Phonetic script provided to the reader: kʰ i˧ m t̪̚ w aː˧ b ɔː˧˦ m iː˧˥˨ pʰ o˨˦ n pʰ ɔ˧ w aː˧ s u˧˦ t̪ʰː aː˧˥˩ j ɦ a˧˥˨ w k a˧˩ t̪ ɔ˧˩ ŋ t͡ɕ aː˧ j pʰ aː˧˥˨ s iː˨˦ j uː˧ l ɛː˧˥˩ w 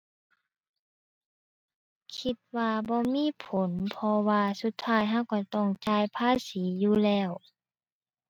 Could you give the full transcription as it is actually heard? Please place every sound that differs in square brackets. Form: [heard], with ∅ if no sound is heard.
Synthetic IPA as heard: kʰ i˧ [∅] t̪̚ w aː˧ b ɔː˧˦ m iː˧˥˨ pʰ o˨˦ n pʰ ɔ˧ w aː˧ s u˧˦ t̪ʰː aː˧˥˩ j ɦ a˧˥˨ w k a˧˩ t̪ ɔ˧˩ ŋ t͡ɕ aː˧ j pʰ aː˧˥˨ s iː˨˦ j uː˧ l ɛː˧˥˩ w